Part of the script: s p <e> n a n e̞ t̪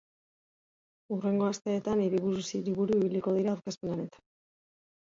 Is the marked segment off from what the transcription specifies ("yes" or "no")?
no